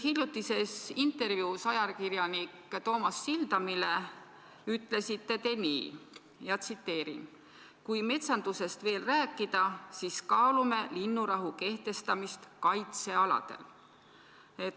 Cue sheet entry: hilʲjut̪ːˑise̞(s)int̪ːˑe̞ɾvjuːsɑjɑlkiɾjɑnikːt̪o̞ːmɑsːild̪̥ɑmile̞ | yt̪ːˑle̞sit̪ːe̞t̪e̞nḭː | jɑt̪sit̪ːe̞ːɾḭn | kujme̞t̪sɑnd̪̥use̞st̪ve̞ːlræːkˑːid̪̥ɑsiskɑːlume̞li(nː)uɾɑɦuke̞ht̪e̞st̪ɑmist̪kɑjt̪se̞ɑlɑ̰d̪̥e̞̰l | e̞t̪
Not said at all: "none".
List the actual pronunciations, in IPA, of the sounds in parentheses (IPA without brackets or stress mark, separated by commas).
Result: s, nː